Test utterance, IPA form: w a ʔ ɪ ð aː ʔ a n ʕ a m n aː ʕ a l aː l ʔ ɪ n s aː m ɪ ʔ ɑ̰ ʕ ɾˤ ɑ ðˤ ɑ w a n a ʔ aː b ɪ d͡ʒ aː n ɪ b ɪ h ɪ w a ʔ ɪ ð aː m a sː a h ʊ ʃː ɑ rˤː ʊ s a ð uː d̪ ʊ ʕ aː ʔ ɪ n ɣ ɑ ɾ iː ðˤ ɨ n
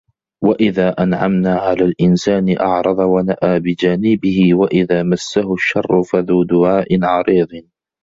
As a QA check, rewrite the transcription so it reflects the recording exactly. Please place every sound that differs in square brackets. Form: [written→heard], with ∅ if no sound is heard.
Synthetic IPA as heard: w a ʔ ɪ ð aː ʔ a n ʕ a m n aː ʕ a l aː l ʔ ɪ n s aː [m→n] ɪ ʔ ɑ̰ ʕ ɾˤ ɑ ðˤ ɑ w a n a ʔ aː b ɪ d͡ʒ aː n ɪ b ɪ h ɪ w a ʔ ɪ ð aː m a sː a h ʊ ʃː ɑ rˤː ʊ [s→f] a ð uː d̪ ʊ ʕ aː ʔ ɪ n [ɣ→ʕ] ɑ ɾ iː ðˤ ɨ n